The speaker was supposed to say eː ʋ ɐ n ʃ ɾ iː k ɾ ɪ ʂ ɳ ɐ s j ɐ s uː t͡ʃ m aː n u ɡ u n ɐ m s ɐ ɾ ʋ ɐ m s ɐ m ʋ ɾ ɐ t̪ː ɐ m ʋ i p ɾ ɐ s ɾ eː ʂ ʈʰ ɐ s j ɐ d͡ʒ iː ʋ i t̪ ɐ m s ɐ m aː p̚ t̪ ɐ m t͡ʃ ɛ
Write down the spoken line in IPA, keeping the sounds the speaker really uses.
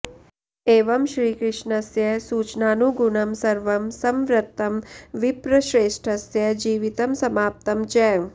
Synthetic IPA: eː ʋ ɐ m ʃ ɾ iː k ɾ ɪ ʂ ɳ ɐ s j ɐ s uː t͡ʃ n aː n u ɡ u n ɐ m s ɐ ɾ ʋ ɐ m s ɐ m ʋ ɾ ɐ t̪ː ɐ m ʋ i p ɾ ɐ ʃ ɾ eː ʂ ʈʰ ɐ s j ɐ d͡ʒ iː ʋ i t̪ ɐ m s ɐ m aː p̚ t̪ ɐ m t͡ʃ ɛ